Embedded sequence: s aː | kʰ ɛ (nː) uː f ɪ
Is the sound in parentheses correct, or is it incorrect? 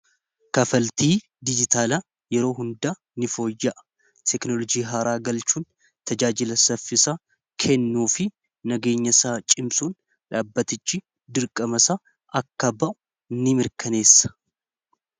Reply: correct